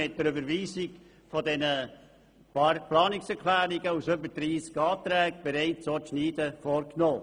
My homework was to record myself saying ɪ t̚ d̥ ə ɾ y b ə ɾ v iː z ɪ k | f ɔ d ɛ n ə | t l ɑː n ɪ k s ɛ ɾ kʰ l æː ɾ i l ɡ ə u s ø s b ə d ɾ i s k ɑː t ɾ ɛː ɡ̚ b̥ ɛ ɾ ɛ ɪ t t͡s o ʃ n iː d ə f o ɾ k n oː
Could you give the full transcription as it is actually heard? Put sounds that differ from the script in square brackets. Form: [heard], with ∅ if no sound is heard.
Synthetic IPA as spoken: ɪ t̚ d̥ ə ɾ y b ə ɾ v iː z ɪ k | f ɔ d ɛ n ə | [p] l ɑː n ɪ k s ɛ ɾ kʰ l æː ɾ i [∅] ɡ ə u s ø [∅] b ə d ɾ [iː] s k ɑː t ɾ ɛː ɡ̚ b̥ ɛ ɾ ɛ ɪ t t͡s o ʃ n iː d ə f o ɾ k n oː